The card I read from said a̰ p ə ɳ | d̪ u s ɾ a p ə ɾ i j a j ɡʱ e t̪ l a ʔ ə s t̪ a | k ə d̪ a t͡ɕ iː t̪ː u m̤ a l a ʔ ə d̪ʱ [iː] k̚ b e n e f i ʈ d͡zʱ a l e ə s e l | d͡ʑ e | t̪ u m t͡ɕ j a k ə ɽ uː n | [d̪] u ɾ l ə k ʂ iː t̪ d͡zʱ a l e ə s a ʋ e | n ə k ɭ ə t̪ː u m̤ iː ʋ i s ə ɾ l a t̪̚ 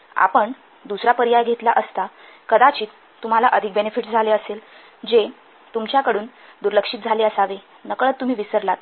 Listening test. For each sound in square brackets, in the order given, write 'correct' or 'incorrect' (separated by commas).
incorrect, correct